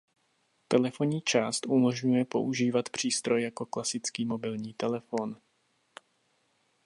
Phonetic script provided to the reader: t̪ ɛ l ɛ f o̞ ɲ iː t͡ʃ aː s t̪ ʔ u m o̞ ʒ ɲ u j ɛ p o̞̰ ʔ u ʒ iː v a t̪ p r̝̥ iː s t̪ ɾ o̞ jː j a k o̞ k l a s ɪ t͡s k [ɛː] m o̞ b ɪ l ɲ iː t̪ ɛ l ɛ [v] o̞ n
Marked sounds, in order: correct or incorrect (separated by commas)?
incorrect, incorrect